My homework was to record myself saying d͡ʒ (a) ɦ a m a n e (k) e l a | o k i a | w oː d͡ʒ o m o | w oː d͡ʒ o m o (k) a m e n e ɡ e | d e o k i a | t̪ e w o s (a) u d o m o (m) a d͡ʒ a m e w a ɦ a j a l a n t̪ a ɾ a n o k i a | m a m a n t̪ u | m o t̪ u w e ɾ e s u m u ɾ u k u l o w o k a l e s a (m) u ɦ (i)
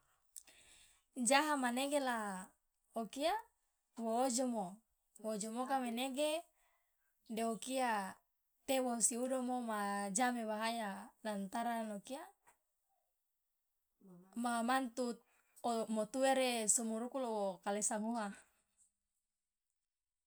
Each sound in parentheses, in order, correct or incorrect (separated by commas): correct, incorrect, correct, incorrect, correct, correct, incorrect